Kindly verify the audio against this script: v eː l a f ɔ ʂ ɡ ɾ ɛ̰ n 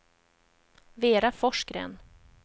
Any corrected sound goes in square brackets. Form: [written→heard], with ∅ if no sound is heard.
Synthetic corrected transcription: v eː [l→ɾ] a f ɔ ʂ [ɡ→k] ɾ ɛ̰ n